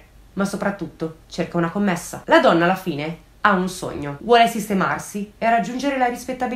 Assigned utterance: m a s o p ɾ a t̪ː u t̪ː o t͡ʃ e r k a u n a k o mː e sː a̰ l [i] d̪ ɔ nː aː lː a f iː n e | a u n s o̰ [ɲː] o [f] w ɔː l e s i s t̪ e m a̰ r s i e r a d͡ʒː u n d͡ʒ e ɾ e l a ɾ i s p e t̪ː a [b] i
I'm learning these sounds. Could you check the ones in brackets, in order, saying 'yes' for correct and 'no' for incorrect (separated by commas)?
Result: no, yes, no, yes